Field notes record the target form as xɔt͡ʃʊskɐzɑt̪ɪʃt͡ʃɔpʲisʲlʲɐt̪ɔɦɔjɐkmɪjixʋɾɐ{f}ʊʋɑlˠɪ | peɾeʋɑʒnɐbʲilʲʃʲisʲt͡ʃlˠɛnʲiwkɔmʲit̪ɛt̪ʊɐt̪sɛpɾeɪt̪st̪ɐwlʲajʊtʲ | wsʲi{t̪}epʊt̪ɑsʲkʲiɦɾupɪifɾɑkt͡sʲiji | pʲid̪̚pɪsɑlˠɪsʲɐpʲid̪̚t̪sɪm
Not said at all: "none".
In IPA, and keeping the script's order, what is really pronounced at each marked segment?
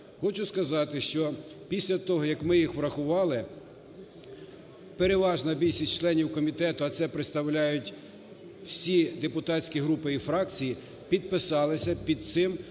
x, d̪

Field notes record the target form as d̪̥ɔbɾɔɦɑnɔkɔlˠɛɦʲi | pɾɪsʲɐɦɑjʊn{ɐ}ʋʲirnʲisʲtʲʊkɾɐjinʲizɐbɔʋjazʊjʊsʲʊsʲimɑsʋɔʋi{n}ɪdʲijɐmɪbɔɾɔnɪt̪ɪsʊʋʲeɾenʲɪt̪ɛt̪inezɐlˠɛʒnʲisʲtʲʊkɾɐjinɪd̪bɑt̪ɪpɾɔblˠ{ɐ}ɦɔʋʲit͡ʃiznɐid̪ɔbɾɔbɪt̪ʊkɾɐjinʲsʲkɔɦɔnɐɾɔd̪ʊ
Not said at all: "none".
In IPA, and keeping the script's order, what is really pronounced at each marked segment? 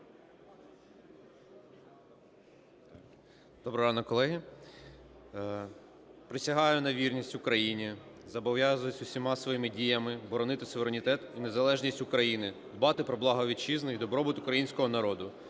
ɐ, m, ɑ

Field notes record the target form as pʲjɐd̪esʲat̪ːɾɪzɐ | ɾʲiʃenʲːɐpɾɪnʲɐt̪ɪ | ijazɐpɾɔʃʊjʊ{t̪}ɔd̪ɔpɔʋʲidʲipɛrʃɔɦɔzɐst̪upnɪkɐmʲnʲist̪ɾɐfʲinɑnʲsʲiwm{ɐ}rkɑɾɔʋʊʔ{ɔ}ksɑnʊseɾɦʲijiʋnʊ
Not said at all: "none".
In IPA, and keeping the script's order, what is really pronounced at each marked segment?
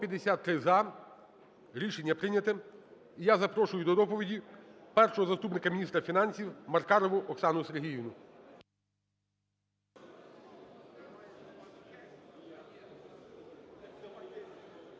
d̪, ɐ, ɔ

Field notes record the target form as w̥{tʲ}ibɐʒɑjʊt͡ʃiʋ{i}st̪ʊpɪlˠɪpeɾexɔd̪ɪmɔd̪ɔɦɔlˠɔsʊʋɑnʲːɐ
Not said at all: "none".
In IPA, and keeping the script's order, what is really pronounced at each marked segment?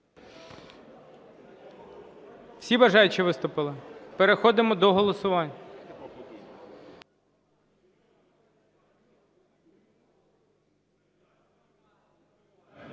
sʲ, ɪ

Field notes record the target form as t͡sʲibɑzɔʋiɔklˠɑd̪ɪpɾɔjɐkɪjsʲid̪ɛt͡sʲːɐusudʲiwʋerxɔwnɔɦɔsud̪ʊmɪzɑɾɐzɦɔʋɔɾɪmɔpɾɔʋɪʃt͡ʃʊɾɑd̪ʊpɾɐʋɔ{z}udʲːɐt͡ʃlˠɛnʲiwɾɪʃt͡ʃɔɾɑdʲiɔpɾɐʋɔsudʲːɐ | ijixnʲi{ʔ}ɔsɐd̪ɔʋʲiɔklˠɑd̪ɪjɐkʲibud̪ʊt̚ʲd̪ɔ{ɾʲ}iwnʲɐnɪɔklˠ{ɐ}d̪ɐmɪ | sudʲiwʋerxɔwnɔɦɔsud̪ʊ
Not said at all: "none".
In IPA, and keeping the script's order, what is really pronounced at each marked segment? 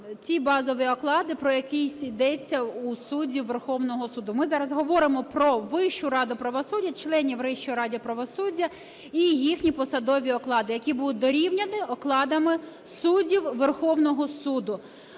s, p, ɾʲ, ɑ

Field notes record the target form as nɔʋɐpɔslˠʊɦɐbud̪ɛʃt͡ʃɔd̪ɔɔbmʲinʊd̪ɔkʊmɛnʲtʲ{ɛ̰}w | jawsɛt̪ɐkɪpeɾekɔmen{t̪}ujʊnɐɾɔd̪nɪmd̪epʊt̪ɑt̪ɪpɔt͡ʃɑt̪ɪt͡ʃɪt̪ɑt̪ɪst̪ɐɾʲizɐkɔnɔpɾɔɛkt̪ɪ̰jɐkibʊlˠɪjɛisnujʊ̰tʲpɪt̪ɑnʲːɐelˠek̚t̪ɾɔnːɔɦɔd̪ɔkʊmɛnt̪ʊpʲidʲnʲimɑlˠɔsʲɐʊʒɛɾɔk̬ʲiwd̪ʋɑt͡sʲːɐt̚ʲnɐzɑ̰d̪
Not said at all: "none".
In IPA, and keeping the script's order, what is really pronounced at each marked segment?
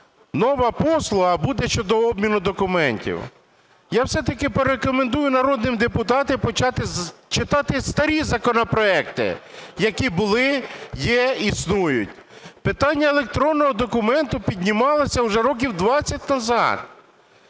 ḭ, d̪

